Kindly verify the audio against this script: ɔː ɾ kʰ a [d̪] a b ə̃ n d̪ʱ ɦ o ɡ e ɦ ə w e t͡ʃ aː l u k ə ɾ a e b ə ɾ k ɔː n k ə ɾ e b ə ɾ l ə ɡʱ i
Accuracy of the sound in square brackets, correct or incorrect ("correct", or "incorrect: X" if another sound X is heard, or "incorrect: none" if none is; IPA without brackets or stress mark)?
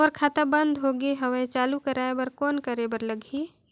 incorrect: t̪